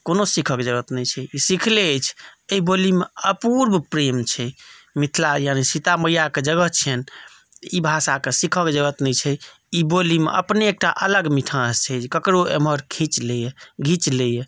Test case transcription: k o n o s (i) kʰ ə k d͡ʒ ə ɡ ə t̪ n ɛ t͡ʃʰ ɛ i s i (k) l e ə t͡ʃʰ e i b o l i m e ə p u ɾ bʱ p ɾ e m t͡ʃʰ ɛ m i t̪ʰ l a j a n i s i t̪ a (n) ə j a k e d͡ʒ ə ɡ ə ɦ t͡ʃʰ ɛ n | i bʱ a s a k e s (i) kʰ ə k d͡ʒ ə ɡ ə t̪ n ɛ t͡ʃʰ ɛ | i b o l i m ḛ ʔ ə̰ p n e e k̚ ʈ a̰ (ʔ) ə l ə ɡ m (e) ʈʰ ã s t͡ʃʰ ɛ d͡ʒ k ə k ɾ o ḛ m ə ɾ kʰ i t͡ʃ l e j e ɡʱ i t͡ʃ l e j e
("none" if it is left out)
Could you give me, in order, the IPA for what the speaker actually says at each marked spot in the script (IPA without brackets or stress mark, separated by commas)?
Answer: i, kʰ, m, i, ʔ, i